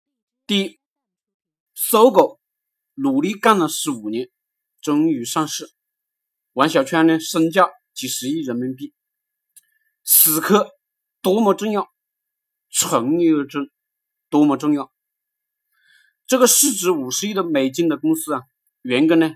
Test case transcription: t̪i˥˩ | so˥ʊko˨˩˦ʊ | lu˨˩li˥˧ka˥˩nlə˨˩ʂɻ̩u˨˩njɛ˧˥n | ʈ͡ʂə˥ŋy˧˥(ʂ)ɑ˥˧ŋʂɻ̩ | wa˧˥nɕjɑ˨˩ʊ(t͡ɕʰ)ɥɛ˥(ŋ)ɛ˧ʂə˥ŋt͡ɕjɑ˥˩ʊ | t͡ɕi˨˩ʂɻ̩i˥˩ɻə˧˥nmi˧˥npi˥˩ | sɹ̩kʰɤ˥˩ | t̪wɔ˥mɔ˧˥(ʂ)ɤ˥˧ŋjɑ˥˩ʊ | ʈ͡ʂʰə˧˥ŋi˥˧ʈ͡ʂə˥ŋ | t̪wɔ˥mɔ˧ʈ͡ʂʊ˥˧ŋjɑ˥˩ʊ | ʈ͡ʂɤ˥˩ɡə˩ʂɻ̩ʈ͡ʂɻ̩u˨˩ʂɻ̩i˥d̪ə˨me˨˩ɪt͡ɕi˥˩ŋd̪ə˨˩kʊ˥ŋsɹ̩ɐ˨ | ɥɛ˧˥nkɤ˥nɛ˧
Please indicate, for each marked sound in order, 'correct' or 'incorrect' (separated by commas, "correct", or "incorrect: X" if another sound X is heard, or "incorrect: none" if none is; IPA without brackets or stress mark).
correct, correct, incorrect: n, incorrect: ʈ͡ʂ